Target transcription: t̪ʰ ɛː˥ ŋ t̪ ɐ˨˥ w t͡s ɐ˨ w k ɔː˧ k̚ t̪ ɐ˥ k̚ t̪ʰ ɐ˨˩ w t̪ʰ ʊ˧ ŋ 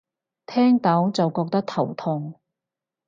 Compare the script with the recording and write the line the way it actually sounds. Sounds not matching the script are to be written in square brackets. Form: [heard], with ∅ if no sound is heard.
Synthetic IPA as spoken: t̪ʰ ɛː˥ ŋ t̪ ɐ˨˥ w t͡s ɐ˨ w k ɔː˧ k̚ t̪ ɐ˥ k̚ t̪ʰ ɐ˨˩ w t̪ʰ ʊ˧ ŋ